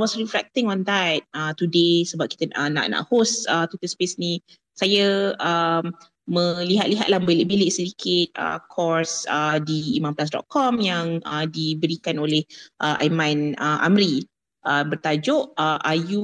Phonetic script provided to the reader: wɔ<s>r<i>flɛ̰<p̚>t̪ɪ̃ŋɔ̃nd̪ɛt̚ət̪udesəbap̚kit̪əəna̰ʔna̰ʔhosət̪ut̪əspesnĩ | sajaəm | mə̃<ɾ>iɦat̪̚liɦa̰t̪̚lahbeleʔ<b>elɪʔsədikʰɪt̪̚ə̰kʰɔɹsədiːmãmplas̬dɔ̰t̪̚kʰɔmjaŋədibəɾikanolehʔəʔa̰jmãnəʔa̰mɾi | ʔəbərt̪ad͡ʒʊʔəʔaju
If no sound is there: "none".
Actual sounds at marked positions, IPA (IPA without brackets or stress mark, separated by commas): s, i, k̚, l, b